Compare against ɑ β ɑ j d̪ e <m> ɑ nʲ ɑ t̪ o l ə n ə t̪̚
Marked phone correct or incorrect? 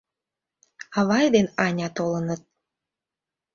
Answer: incorrect